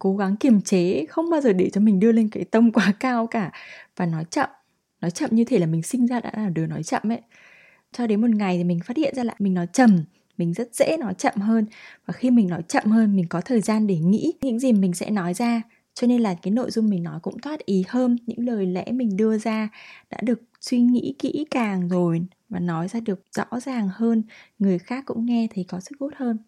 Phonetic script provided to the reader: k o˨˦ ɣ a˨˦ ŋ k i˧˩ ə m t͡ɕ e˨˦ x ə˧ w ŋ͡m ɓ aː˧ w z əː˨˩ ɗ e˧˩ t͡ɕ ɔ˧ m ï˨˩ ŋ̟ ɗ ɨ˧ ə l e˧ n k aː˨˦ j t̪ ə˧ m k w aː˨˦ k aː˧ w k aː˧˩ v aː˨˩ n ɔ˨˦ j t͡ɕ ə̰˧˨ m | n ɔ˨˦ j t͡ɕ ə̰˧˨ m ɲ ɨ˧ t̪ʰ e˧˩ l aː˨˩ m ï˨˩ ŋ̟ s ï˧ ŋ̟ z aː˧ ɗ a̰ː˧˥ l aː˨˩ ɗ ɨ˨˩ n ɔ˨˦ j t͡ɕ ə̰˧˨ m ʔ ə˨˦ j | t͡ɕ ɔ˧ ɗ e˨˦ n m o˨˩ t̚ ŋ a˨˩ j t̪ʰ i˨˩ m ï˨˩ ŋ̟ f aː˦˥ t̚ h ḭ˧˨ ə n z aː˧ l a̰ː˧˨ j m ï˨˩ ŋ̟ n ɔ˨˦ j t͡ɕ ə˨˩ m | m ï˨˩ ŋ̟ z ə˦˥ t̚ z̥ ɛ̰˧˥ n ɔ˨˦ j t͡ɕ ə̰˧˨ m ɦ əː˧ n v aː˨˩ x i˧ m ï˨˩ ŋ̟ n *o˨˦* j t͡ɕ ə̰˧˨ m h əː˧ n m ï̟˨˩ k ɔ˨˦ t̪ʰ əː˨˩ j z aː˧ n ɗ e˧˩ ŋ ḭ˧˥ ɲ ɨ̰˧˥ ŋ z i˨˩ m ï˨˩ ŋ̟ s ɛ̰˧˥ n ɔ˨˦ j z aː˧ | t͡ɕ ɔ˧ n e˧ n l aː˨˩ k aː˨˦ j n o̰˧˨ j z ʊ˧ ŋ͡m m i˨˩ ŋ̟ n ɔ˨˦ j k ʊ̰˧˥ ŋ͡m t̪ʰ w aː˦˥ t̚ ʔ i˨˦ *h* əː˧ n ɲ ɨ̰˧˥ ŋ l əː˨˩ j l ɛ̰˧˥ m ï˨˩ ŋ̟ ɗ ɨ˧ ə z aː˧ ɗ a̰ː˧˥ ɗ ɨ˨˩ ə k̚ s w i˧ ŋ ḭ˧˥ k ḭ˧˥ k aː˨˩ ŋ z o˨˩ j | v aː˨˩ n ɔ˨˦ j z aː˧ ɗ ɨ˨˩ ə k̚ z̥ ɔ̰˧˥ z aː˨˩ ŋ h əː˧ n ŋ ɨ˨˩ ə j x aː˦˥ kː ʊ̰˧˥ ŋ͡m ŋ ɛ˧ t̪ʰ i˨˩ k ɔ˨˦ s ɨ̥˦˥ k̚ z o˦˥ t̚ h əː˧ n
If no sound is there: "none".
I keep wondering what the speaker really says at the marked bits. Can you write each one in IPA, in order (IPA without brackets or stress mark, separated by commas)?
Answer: ɔ˨˦, h